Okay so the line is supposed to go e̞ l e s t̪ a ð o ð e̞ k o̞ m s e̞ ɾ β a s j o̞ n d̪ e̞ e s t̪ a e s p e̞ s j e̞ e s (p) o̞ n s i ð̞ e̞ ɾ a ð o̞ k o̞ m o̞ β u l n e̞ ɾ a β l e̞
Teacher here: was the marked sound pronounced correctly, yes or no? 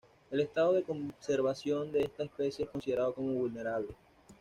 no